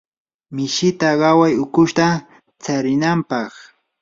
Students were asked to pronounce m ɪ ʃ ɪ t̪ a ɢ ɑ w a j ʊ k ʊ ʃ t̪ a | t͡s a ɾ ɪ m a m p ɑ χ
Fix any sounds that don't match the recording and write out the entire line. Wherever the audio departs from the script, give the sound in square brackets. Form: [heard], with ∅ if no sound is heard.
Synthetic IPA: m ɪ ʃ ɪ t̪ a ɢ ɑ w a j ʊ k ʊ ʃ t̪ a | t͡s a ɾ ɪ [n] a m p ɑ χ